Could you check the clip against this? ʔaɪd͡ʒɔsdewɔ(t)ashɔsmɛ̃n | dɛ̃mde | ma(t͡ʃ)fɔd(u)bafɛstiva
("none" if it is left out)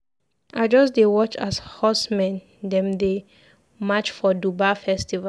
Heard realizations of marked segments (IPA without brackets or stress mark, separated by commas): t͡ʃ, t͡ʃ, u